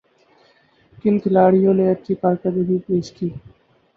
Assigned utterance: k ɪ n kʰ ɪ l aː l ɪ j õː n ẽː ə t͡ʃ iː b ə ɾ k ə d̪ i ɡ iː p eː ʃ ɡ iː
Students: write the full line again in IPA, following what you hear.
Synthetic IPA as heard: k ɪ n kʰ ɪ l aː ɽ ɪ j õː n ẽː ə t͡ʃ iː p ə ɾ k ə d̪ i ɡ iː p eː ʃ k iː